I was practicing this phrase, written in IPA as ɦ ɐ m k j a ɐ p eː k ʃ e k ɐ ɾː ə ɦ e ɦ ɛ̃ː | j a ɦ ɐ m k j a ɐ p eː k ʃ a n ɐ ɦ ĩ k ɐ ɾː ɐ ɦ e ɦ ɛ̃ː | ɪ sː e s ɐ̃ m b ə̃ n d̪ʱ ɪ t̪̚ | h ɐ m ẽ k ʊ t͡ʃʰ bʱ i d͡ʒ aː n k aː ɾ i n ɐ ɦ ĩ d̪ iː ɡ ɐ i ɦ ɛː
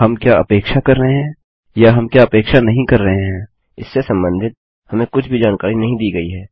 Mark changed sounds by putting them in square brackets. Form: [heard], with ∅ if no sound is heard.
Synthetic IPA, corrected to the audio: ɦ ɐ m k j a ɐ p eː k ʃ [a] k ɐ ɾː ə ɦ e ɦ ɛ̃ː | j a ɦ ɐ m k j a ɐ p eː k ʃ a n ɐ ɦ ĩ k ɐ ɾː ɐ ɦ e ɦ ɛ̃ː | ɪ sː e s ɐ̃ m b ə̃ n d̪ʱ ɪ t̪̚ | h ɐ m ẽ k ʊ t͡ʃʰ bʱ i d͡ʒ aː n k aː ɾ i n ɐ ɦ ĩ d̪ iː ɡ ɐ i ɦ ɛː